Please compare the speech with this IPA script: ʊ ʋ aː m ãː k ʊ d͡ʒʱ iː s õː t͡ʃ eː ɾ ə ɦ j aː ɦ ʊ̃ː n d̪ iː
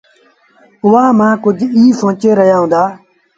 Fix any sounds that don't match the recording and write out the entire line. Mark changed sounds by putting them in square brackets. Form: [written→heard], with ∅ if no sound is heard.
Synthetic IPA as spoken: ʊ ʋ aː m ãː k ʊ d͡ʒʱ iː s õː t͡ʃ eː ɾ ə ɦ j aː ɦ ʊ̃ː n d̪ [iː→aː]